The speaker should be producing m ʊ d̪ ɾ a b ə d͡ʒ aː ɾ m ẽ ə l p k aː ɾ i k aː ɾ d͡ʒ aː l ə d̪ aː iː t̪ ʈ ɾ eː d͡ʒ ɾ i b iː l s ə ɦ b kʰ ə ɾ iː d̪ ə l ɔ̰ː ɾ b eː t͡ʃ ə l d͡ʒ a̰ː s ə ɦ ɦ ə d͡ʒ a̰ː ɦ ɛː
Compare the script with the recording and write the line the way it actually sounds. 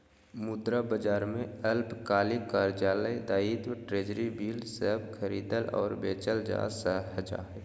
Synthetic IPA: m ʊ d̪ ɾ a b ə d͡ʒ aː ɾ m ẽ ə l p k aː l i k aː ɾ d͡ʒ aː l ə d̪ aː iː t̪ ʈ ɾ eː d͡ʒ ɾ i b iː l s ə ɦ b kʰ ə ɾ iː d̪ ə l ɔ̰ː ɾ b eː t͡ʃ ə l d͡ʒ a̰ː s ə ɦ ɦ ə d͡ʒ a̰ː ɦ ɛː